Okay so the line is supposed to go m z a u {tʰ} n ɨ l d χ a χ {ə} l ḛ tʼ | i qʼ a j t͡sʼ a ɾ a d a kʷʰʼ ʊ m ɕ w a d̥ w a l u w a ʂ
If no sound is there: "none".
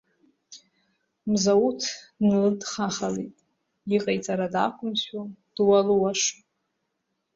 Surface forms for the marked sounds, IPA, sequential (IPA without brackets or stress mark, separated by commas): tʰ, a